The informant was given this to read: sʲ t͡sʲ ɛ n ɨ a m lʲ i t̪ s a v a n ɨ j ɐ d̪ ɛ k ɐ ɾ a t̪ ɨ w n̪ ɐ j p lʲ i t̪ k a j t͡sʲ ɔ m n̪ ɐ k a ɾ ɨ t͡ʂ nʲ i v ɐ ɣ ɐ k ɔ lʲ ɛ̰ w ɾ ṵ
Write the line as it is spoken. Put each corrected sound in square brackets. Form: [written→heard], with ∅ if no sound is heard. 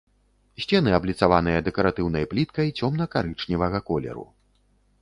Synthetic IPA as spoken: sʲ t͡sʲ ɛ n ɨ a [m→b] lʲ i t̪ s a v a n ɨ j ɐ d̪ ɛ k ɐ ɾ a t̪ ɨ w n̪ ɐ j p lʲ i t̪ k [a→ɐ] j t͡sʲ ɔ m n̪ ɐ k a ɾ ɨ t͡ʂ nʲ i v ɐ ɣ ɐ k ɔ lʲ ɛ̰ [w→∅] ɾ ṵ

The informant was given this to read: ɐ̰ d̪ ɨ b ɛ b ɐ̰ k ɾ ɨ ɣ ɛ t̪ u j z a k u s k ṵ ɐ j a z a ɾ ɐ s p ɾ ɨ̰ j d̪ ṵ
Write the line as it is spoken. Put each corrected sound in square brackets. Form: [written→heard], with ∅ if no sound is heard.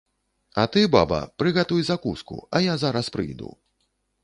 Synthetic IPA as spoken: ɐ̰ [d̪→t̪] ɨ b [ɛ→a] b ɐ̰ [k→p] ɾ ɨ ɣ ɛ t̪ u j z a k u s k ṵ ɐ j a z a ɾ ɐ s p ɾ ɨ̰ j d̪ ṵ

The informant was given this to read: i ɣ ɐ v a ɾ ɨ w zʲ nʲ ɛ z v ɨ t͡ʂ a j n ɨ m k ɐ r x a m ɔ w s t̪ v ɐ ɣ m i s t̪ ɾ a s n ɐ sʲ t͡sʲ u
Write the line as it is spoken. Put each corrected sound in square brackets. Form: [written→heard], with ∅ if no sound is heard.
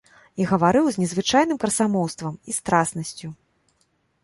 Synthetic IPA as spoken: i ɣ ɐ v a ɾ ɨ w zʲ nʲ ɛ z v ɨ t͡ʂ a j n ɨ m k ɐ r [x→s] a m ɔ w s t̪ v ɐ [ɣ→∅] m i s t̪ ɾ a s n ɐ sʲ t͡sʲ u

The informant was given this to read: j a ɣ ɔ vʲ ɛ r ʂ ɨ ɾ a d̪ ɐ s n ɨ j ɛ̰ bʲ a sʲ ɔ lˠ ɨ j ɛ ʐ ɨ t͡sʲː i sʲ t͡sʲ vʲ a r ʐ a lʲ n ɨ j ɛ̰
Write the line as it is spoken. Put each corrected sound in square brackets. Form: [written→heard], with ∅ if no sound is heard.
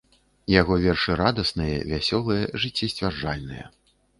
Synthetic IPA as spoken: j a ɣ ɔ vʲ ɛ r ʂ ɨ ɾ a d̪ ɐ s n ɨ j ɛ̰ [bʲ→vʲ] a sʲ ɔ lˠ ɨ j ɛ ʐ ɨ t͡sʲː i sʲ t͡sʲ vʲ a r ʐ a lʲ n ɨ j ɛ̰

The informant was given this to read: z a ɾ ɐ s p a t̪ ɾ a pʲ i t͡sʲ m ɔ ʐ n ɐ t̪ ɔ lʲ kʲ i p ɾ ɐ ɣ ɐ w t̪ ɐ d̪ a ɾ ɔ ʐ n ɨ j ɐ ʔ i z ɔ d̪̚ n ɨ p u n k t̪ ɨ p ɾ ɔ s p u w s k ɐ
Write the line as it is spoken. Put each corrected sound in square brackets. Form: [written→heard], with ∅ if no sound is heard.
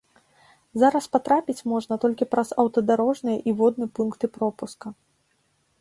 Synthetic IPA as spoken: z a ɾ ɐ s p a t̪ ɾ a pʲ i t͡sʲ m ɔ ʐ n ɐ t̪ ɔ lʲ kʲ i p ɾ ɐ [ɣ→z] ɐ w t̪ ɐ d̪ a ɾ ɔ ʐ n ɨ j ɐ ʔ i [z→v] ɔ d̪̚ n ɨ p u n k t̪ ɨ p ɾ ɔ [s→∅] p u [w→∅] s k ɐ

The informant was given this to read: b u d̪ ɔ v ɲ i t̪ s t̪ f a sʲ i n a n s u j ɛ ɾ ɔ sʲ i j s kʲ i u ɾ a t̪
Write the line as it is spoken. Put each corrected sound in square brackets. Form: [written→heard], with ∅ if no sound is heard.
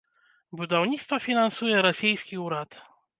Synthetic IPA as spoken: b u d̪ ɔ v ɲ i t̪ s t̪ f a [sʲ→fʲ] i n a n s u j ɛ ɾ ɔ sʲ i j s kʲ i u ɾ a t̪

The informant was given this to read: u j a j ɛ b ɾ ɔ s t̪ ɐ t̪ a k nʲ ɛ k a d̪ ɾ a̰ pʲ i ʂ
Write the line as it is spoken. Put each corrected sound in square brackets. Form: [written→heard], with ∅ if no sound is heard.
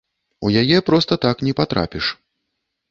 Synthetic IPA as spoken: u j a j ɛ [b→p] ɾ ɔ s t̪ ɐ t̪ a k nʲ ɛ [k→p] a [d̪→t̪] ɾ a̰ pʲ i ʂ

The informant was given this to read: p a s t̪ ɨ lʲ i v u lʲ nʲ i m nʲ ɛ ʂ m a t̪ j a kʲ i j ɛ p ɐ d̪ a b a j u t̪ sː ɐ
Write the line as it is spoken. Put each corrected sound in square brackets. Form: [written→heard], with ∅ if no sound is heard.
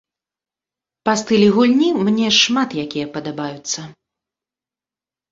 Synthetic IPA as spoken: p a s t̪ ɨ lʲ i [v→ɣ] u lʲ nʲ i m nʲ ɛ ʂ m a t̪ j a kʲ i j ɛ p ɐ d̪ a b a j u t̪ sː ɐ

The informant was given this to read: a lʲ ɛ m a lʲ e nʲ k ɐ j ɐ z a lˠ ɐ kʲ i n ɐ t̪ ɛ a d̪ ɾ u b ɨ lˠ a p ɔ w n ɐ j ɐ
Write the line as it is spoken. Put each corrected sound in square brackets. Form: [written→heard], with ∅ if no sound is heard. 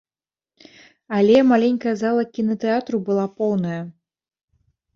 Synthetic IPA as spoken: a lʲ ɛ m a lʲ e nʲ k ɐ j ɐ z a lˠ ɐ kʲ i n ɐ t̪ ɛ a [d̪→t̪] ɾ u b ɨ lˠ a p ɔ w n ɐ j ɐ

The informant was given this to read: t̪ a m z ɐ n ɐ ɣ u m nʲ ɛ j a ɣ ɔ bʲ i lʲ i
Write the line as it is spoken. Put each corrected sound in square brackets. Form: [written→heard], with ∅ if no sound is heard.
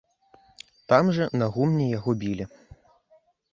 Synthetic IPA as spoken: t̪ a m [z→ʐ] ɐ n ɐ ɣ u m nʲ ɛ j a ɣ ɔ bʲ i lʲ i

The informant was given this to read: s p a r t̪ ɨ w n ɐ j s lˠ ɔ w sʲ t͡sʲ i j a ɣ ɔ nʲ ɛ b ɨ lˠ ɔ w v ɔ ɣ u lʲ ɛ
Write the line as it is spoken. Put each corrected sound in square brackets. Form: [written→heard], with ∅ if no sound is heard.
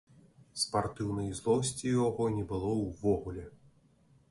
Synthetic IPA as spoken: s p a r t̪ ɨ w n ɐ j [s→z] lˠ ɔ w sʲ t͡sʲ i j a ɣ ɔ nʲ ɛ b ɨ lˠ ɔ w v ɔ ɣ u lʲ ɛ

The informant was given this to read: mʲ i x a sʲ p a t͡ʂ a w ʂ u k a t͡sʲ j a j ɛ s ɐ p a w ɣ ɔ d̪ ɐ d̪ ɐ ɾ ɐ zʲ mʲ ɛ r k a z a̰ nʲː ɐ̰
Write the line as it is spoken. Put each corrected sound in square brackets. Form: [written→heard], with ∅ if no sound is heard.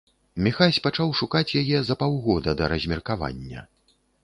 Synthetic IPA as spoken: mʲ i x a sʲ p a t͡ʂ a w ʂ u k a t͡sʲ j a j ɛ [s→z] ɐ p a w ɣ ɔ d̪ ɐ d̪ ɐ ɾ ɐ zʲ mʲ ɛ r k a [z→v] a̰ nʲː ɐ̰

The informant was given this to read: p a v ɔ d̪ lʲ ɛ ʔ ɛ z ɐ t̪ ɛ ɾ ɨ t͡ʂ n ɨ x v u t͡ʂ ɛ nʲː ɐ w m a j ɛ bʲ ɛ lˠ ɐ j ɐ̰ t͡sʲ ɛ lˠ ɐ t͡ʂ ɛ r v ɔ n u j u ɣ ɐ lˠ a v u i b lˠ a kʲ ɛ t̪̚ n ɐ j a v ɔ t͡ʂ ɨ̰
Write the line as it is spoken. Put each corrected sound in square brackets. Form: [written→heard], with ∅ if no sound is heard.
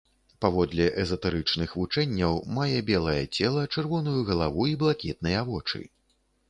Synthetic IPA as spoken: p a v ɔ d̪ lʲ ɛ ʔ ɛ z ɐ t̪ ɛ ɾ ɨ t͡ʂ n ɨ x v u t͡ʂ ɛ nʲː ɐ w m a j ɛ bʲ ɛ lˠ ɐ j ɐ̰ t͡sʲ ɛ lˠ ɐ t͡ʂ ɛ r v ɔ n u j u ɣ ɐ lˠ a v u i b lˠ a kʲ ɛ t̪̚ n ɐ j a v ɔ t͡ʂ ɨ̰

